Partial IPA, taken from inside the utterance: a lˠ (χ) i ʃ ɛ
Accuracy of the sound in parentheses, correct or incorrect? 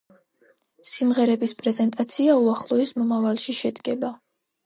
incorrect